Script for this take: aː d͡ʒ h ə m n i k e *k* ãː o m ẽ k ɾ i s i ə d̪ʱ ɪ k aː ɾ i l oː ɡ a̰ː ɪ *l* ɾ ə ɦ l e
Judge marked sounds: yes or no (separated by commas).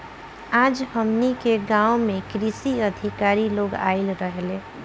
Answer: no, yes